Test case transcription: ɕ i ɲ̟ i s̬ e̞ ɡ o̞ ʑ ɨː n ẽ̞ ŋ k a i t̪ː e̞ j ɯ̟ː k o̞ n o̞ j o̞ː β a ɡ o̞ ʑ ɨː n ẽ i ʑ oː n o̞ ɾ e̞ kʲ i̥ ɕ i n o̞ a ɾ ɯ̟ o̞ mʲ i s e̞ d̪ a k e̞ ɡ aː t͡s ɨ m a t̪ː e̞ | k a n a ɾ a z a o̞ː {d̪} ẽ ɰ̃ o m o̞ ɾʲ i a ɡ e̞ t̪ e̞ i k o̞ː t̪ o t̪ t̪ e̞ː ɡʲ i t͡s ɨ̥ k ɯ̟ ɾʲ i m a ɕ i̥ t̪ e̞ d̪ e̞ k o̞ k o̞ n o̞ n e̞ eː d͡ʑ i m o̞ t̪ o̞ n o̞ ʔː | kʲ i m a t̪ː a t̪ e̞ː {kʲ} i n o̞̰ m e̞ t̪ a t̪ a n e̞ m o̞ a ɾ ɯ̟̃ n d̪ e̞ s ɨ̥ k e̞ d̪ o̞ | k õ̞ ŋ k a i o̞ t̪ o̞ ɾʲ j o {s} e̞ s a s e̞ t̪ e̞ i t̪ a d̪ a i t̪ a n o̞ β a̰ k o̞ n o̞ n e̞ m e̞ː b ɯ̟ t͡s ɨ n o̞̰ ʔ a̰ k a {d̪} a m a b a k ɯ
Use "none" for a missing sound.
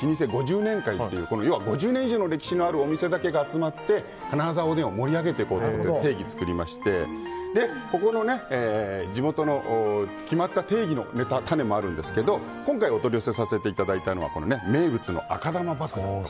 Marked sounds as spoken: d̪, ɡʲ, s, d̪

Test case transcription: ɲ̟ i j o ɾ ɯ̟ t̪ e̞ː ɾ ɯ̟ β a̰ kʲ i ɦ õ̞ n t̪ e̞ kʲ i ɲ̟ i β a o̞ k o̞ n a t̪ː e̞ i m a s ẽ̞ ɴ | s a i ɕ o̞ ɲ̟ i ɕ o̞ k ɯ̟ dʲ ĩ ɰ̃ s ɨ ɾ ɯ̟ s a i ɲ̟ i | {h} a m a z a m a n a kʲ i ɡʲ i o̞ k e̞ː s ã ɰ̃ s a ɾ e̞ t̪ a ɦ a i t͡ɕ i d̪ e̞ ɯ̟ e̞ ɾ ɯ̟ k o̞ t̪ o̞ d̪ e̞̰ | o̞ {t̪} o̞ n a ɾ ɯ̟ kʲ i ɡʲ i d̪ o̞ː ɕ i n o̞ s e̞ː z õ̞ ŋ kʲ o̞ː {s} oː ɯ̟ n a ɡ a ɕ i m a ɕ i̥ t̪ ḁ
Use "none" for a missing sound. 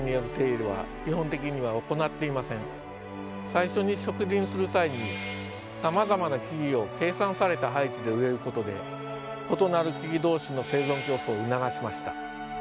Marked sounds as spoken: s, t̪, s

